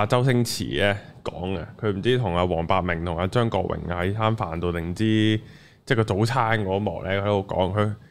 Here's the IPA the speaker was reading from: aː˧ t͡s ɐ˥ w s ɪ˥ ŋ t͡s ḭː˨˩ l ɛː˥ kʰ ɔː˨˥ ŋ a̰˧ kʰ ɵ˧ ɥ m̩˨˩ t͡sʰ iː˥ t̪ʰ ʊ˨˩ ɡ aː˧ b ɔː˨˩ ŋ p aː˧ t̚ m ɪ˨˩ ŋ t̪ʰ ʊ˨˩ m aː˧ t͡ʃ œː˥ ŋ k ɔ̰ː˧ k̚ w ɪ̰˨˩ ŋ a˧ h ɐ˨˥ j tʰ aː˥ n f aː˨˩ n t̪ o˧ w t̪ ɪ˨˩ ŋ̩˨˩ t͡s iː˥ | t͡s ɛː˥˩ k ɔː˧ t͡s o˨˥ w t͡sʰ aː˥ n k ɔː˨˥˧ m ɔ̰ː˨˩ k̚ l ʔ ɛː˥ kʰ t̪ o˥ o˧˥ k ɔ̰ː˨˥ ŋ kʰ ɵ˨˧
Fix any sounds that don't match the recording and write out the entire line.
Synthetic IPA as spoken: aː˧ t͡s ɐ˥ w s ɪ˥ ŋ t͡sʰ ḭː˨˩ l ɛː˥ k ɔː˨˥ ŋ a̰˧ kʰ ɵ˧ ɥ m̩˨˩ t͡s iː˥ t̪ʰ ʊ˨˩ ŋ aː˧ w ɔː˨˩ ŋ p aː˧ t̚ m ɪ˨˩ ŋ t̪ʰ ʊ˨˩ ŋ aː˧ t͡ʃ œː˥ ŋ k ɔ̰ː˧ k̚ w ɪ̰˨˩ ŋ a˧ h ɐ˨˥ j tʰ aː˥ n f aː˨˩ n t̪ o˧ w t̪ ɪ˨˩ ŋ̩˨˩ t͡s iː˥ | t͡s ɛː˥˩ k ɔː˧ t͡s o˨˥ w t͡sʰ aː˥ n k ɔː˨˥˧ m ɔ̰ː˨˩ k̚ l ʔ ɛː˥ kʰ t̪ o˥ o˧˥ k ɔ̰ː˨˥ ŋ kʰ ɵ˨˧